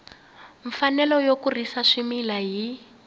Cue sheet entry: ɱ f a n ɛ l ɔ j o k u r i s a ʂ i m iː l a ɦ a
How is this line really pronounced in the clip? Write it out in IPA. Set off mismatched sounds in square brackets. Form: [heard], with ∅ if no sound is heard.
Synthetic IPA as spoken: ɱ f a n ɛ l ɔ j o k u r i s a ʂ i m [i] l a ɦ [i]